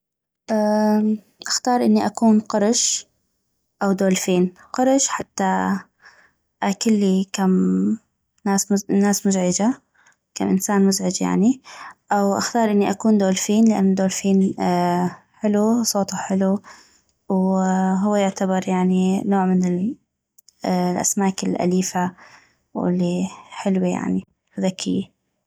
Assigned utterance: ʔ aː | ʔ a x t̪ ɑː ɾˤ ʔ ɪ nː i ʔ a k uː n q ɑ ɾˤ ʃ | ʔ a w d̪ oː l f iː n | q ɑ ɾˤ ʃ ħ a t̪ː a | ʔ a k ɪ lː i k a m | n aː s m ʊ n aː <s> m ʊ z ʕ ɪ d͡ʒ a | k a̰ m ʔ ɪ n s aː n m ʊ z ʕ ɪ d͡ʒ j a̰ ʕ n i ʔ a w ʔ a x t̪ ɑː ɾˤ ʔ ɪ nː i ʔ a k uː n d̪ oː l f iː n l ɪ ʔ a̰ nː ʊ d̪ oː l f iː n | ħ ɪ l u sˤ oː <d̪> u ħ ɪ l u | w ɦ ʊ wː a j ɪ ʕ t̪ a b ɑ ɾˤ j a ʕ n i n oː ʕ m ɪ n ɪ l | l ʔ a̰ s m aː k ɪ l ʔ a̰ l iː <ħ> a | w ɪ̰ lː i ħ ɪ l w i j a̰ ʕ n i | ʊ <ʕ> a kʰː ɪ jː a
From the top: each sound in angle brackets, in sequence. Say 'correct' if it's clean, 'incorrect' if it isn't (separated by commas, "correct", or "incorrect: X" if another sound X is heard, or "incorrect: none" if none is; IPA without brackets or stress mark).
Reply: correct, incorrect: t̪, incorrect: f, incorrect: ð